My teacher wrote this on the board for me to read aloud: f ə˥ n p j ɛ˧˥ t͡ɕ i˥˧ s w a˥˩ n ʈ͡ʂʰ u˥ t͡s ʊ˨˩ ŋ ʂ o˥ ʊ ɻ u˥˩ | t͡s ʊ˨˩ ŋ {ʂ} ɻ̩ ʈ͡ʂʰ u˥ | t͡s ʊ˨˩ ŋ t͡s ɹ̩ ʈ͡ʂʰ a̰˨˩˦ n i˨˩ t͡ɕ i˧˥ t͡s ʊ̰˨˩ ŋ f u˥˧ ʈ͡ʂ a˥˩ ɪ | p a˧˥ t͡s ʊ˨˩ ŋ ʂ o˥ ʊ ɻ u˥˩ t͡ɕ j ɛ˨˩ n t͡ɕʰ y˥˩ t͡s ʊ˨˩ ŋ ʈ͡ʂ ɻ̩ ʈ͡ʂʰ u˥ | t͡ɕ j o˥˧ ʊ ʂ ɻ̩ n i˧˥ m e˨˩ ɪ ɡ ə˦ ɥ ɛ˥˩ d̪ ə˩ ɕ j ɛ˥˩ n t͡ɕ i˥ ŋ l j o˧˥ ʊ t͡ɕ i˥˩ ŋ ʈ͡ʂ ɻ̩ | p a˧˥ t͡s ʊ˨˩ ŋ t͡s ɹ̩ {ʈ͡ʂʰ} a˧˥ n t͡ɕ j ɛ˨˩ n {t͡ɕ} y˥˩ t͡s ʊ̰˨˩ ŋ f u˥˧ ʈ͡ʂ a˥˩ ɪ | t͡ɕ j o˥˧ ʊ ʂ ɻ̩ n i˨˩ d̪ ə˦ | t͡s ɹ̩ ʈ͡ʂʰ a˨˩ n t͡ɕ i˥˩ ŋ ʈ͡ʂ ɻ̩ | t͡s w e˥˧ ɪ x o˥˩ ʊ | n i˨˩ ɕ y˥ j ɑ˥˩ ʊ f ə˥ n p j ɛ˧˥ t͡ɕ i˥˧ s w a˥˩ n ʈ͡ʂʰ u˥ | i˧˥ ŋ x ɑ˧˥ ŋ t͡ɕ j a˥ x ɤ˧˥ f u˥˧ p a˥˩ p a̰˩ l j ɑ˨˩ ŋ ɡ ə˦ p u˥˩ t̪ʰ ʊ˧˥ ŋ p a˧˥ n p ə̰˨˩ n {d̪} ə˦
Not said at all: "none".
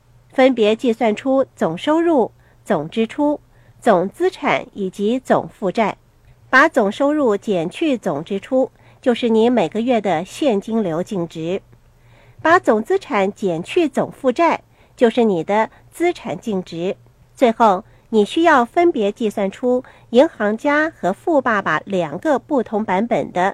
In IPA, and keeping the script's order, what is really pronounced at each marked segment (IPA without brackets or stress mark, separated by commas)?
ʈ͡ʂ, ʈ͡ʂʰ, t͡ɕʰ, d̪